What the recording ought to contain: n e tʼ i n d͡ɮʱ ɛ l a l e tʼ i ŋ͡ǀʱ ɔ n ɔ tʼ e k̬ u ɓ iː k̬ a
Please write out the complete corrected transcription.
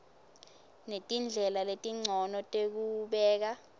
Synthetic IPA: n e tʼ i n d͡ɮʱ ɛ l a l e tʼ i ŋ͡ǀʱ ɔ n ɔ tʼ e k̬ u ɓ ɛː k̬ a